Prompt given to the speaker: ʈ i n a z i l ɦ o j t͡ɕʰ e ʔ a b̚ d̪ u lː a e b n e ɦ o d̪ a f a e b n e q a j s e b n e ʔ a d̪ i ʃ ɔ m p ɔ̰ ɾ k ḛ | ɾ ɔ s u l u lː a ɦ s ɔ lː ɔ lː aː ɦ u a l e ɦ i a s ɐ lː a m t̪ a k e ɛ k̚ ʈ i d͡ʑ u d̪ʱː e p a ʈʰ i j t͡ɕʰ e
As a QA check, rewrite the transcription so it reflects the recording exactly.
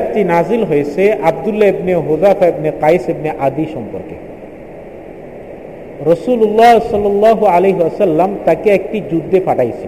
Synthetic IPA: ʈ i n a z i l ɦ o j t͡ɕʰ e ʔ a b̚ d̪ u lː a e b n e ɦ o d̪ a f a e b n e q a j s e b n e ʔ a d̪ i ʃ ɔ m p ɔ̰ ɾ k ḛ | ɾ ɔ s u l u lː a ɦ s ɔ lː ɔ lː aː ɦ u a l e ɦ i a s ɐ lː a m t̪ a k e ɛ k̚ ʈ i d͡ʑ u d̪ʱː e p a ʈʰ a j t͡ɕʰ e